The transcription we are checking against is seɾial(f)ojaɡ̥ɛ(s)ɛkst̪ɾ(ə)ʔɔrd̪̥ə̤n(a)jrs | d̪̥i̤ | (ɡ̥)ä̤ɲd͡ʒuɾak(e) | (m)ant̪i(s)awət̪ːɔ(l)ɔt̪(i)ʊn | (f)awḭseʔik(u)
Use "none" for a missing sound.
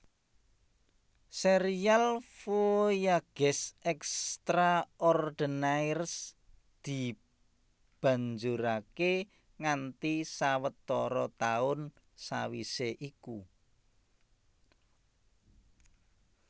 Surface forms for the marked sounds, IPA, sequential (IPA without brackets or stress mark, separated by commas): f, s, a, a, b̥, e, ŋ, s, ɾ, a, s, u